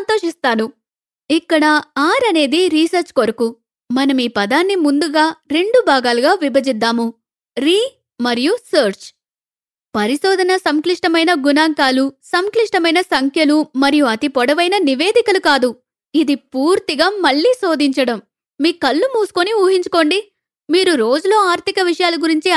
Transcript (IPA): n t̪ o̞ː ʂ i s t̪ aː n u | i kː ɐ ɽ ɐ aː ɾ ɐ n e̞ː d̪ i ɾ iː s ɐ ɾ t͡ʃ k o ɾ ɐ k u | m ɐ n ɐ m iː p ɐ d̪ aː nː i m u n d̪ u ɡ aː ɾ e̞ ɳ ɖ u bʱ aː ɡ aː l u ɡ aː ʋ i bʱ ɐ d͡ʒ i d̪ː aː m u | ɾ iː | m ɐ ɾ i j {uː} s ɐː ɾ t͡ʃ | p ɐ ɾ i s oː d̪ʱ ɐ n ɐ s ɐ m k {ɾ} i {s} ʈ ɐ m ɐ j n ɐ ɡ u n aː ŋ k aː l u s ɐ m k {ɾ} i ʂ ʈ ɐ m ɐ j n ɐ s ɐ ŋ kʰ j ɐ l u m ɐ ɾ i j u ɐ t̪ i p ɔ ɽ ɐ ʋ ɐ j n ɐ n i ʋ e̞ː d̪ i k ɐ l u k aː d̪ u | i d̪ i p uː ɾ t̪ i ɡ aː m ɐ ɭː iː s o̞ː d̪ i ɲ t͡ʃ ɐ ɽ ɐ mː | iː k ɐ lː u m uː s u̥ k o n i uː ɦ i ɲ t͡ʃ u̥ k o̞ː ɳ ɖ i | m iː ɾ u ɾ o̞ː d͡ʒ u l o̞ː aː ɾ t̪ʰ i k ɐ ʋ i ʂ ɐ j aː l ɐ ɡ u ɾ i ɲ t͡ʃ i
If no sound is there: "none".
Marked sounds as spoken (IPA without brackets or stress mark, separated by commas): u, l, ʂ, l